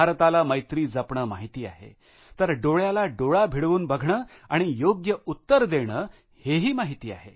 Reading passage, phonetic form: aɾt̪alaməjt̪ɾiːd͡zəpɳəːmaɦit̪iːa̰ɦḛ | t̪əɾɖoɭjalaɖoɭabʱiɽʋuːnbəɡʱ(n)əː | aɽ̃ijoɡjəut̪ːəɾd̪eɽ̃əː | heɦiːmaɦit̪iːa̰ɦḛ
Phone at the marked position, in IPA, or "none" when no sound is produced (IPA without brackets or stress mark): ɳ